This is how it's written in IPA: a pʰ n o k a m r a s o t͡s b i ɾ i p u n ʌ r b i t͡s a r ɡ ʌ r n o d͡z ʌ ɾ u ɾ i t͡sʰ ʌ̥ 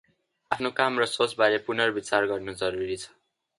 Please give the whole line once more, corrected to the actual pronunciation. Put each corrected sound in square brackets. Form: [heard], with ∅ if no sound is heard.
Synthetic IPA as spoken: a pʰ n o k a m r [ʌ] s o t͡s b [a] ɾ [e] p u n ʌ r b i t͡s a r ɡ ʌ r n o d͡z ʌ ɾ u ɾ i t͡sʰ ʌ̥